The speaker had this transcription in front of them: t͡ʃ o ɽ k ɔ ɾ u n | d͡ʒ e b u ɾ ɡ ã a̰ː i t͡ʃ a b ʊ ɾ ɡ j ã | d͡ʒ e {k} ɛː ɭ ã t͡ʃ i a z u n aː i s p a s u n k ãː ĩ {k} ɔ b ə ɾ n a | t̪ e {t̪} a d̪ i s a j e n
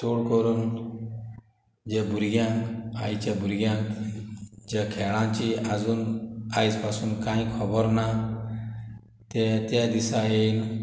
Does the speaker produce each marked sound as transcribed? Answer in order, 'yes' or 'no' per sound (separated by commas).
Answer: no, no, yes